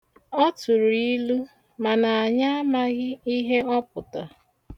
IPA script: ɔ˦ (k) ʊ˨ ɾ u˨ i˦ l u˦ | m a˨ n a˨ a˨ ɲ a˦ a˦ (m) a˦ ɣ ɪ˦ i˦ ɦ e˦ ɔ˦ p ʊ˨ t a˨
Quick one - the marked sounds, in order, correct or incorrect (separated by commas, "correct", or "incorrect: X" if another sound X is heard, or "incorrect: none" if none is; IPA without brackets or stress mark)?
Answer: incorrect: t, correct